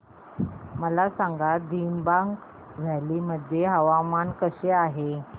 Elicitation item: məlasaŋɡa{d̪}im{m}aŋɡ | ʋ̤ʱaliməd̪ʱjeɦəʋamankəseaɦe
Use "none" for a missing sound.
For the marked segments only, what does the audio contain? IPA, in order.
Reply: d̪, b

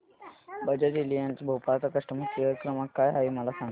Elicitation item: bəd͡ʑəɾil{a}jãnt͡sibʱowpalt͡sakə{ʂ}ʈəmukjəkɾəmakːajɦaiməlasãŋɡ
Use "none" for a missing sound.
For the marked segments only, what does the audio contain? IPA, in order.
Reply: i, ʂ

